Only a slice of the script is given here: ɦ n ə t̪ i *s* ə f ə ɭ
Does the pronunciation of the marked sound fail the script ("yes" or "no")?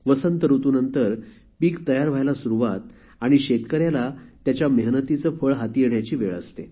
yes